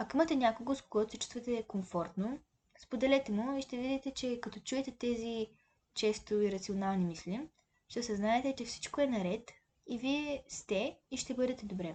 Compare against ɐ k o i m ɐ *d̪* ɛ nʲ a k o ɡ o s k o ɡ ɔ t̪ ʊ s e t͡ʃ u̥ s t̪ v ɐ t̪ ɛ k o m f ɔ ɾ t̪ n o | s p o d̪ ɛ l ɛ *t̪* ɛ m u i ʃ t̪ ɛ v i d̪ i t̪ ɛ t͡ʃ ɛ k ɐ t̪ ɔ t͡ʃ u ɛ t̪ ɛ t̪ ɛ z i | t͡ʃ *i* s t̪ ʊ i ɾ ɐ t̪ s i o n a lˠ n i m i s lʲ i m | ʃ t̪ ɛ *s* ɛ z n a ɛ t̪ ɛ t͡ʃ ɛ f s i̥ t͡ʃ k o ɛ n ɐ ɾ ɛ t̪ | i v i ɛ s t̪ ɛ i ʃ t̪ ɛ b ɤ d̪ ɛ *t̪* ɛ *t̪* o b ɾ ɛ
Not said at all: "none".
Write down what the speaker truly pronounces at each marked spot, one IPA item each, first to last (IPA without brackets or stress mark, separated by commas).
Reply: t̪, t̪, ɛ, s, t̪, d̪